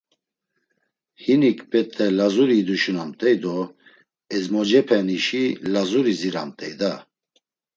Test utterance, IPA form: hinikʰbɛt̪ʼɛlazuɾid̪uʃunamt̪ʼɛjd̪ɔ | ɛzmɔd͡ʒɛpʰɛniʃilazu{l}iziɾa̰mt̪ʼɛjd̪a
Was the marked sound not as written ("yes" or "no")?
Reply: yes